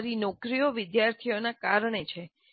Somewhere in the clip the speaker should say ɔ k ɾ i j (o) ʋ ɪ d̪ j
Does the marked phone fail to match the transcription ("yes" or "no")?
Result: no